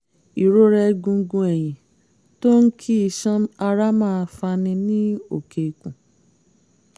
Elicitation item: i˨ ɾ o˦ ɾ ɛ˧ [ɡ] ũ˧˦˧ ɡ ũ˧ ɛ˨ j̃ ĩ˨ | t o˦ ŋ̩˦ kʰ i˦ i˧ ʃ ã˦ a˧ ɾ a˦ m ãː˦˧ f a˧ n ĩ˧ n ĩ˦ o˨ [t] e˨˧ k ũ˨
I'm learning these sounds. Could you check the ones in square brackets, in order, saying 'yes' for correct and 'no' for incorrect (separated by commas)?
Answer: yes, no